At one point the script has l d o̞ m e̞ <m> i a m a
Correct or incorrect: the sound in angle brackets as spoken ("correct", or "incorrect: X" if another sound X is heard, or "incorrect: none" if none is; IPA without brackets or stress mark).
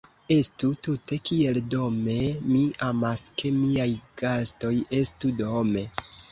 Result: correct